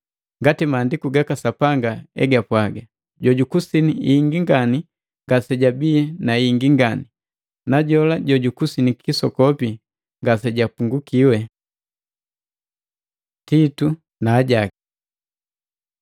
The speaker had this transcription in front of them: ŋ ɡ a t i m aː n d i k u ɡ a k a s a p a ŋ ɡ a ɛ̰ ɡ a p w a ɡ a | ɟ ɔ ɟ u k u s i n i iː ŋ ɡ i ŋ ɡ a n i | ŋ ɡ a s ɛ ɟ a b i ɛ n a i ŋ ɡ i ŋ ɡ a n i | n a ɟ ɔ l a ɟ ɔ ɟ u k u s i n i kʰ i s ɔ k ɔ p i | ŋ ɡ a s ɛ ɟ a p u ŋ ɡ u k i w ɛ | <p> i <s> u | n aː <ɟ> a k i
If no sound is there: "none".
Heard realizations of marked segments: t, t, ɟ

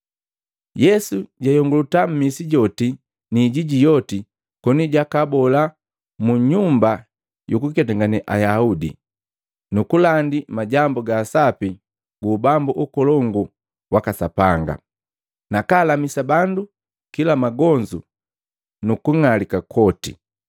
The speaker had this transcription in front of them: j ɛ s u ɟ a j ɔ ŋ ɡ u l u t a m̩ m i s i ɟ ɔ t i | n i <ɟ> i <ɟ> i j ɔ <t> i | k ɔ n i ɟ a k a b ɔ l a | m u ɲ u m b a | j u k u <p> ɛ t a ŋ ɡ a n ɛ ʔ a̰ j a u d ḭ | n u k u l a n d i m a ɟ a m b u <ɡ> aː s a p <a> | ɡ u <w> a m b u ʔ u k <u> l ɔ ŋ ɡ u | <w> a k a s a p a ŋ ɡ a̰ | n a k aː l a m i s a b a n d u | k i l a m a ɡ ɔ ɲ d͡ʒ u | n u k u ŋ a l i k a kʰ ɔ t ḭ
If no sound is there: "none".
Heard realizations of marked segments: ɟ, ɟ, t, k, ɡ, i, b, ɔ, w

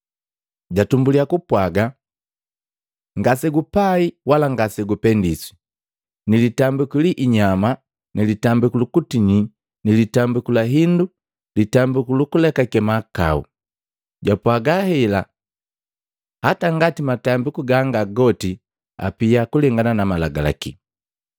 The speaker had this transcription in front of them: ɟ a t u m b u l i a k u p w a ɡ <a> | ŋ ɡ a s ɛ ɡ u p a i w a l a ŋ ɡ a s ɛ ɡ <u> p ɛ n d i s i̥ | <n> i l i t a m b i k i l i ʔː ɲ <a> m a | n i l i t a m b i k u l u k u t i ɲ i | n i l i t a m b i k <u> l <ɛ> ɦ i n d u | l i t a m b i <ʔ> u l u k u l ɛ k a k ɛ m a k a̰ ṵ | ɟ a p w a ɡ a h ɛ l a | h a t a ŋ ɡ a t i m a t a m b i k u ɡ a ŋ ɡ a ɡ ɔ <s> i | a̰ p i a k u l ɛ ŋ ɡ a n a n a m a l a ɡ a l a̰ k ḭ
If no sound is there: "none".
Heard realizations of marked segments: a, u, n, a, u, a, k, t

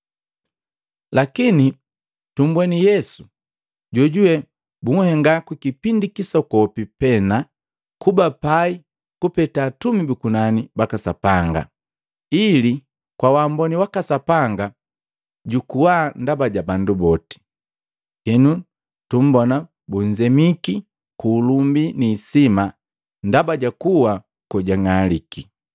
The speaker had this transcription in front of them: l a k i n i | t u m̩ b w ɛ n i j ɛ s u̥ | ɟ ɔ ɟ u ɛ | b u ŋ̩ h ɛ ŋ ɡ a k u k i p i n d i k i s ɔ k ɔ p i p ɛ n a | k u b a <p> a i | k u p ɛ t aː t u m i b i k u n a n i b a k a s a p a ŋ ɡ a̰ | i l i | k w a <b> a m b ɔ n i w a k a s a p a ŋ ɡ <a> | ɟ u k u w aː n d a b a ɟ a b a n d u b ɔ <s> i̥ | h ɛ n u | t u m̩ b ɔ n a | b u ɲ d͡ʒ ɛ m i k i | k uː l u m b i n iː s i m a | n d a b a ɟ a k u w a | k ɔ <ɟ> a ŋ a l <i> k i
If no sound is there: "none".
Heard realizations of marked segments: p, w, a, t, ɟ, i

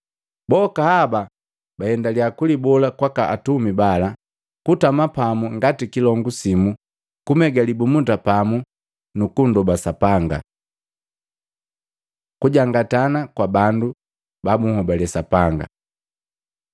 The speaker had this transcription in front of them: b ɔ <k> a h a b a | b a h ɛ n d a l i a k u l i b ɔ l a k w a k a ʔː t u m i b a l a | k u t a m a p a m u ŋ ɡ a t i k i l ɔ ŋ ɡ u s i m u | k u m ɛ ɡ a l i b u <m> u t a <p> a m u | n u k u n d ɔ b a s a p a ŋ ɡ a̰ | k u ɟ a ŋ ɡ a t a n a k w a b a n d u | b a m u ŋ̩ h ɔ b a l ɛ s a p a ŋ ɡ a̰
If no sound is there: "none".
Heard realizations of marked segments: k, m, p

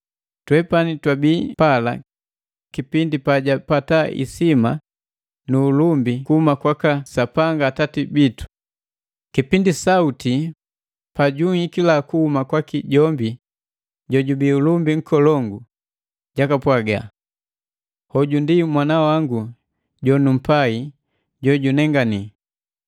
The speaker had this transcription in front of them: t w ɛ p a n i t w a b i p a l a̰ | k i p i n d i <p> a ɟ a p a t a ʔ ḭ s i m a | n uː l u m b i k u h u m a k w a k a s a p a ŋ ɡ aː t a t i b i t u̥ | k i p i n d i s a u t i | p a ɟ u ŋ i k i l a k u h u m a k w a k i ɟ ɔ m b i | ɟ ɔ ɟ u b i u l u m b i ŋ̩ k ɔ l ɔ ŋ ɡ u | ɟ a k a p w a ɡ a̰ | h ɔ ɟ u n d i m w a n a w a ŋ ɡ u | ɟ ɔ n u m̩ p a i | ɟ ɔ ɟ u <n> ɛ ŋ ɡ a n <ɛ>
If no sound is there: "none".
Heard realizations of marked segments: p, n, i

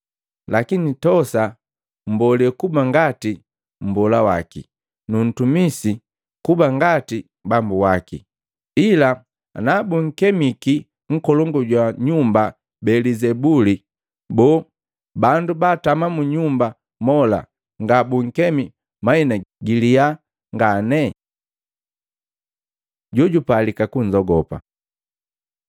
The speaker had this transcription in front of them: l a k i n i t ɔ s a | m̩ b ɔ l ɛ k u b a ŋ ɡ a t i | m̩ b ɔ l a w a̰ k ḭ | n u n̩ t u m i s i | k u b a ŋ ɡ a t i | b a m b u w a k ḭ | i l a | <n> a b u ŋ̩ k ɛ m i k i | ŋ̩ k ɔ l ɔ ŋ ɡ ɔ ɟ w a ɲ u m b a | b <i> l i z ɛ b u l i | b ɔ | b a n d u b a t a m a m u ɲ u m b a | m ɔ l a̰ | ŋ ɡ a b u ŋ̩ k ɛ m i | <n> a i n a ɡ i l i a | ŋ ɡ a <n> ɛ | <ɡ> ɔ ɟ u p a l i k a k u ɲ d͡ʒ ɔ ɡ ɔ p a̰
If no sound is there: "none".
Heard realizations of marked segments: n, ɛ, m, n, ɟ

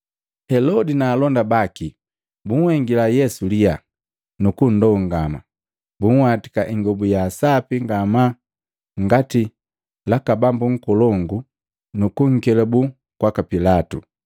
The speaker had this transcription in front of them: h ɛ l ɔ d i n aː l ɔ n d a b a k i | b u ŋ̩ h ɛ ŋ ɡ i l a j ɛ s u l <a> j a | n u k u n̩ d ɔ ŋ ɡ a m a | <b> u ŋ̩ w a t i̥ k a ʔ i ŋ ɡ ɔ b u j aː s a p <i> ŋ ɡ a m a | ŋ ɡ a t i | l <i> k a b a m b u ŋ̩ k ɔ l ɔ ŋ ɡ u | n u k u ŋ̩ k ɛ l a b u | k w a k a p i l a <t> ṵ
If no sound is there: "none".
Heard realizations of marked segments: i, b, i, a, t

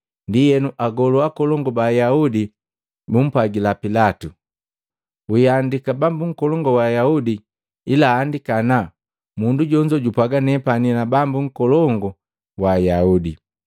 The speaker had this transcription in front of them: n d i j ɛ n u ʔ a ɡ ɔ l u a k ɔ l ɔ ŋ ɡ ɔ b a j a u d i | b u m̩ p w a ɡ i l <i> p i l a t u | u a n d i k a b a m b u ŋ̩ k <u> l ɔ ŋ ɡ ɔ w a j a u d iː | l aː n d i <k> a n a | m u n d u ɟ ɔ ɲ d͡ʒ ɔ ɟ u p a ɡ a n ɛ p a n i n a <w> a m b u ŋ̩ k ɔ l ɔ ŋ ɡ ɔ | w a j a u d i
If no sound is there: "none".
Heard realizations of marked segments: a, ɔ, k, b

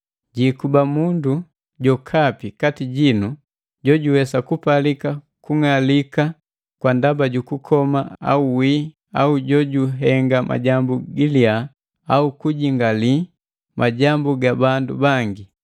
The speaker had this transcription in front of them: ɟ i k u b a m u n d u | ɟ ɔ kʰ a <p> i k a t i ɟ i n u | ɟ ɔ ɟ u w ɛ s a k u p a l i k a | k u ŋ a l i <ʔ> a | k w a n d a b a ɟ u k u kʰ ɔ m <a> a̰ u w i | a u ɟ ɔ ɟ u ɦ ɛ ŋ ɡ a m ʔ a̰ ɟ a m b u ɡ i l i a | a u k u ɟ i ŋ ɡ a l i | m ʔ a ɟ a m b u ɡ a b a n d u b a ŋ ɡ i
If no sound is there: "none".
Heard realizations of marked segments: p, k, a

